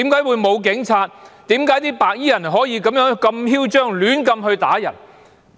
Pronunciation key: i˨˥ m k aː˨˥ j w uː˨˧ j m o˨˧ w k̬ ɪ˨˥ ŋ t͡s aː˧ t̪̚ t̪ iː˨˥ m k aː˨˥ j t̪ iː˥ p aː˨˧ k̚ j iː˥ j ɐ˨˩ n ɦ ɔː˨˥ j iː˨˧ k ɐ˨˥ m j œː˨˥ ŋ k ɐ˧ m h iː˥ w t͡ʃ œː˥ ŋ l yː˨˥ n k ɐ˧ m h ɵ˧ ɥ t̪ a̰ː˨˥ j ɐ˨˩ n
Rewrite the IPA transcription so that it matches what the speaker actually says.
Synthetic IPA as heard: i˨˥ m k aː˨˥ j w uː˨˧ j m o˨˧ w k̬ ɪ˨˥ ŋ t͡sʰ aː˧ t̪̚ t̪ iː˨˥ m k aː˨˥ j t̪ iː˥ p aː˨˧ k̚ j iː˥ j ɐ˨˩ n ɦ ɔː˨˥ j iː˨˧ k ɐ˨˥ m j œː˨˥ ŋ k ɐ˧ m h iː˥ w t͡ʃ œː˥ ŋ l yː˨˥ n k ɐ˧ m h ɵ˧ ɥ t̪ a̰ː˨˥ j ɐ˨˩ n

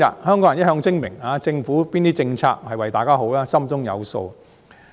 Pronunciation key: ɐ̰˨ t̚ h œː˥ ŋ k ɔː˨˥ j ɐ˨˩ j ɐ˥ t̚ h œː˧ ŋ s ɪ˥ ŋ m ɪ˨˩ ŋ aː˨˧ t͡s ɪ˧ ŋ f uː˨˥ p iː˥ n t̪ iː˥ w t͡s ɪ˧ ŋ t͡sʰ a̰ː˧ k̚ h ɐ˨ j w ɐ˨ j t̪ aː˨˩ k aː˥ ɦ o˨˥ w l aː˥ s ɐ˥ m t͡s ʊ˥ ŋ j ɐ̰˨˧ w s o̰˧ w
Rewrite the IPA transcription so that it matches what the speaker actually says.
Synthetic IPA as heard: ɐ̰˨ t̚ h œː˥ ŋ k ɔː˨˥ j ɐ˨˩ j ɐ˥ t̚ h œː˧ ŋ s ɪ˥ ŋ m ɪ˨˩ ŋ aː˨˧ t͡s ɪ˧ ŋ f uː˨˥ p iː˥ n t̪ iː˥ t͡s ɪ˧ ŋ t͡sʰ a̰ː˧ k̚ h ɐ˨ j w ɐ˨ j t̪ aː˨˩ k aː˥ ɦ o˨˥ w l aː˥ s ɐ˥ m t͡s ʊ˥ ŋ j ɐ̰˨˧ w s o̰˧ w

